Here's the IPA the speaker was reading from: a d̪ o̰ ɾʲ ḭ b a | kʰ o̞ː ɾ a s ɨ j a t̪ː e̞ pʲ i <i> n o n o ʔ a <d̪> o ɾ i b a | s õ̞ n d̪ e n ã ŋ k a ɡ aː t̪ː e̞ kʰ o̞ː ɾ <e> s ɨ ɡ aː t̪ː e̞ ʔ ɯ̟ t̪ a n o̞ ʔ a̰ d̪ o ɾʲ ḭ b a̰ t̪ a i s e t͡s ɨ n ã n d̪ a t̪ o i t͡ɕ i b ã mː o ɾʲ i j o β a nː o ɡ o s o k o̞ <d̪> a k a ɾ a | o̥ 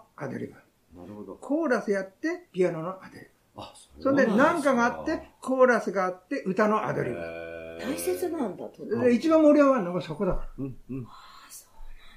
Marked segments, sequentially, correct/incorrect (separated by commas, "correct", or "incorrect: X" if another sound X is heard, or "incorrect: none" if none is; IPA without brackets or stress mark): incorrect: a, correct, incorrect: a, correct